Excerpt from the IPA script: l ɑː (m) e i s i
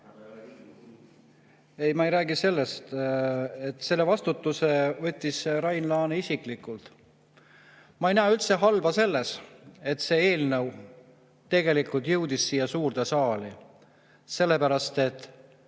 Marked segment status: incorrect: n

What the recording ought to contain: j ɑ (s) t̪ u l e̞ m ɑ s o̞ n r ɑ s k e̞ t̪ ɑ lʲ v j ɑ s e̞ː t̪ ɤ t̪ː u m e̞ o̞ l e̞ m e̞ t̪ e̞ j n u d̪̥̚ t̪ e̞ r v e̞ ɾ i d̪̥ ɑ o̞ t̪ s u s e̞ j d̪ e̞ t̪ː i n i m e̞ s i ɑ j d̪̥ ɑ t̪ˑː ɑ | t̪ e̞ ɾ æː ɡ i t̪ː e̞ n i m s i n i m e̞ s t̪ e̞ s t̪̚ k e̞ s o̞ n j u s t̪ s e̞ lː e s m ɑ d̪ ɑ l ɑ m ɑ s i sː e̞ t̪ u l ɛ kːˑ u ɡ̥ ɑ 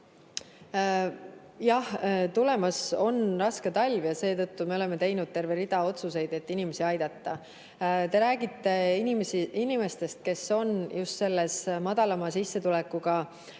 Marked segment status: incorrect: h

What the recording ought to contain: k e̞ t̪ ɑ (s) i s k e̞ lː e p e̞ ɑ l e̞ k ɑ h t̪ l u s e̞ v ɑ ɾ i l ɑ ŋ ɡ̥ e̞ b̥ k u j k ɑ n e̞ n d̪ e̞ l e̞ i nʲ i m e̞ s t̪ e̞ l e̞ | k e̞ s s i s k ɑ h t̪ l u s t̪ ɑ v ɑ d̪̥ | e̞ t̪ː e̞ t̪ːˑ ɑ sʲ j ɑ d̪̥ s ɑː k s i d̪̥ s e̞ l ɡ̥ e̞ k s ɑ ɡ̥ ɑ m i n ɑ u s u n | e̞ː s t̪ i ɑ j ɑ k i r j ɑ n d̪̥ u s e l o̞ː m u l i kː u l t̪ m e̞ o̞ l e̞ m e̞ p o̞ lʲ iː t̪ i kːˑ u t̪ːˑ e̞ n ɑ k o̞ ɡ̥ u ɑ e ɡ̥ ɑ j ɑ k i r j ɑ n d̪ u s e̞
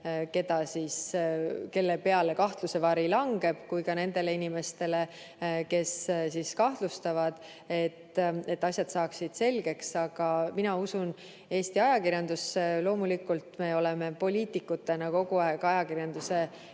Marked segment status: correct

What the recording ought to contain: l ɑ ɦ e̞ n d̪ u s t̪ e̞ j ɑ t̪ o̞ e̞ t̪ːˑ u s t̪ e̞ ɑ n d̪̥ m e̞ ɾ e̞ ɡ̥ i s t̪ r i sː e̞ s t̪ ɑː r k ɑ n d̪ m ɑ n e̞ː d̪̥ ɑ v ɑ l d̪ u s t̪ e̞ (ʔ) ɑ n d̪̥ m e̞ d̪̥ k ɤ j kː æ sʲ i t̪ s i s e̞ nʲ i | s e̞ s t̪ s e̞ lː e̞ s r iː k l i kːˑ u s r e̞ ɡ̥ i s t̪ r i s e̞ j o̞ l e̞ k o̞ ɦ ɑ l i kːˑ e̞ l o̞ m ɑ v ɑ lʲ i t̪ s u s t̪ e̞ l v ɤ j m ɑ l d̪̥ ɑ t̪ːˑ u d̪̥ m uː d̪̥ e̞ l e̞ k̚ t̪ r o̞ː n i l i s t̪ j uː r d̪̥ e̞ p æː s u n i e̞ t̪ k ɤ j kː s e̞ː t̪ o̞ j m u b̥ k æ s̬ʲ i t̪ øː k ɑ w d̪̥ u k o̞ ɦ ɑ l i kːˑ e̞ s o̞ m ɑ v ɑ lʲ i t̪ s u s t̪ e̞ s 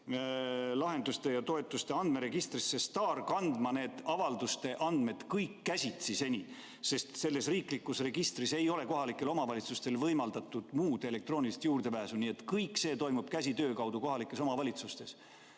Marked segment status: correct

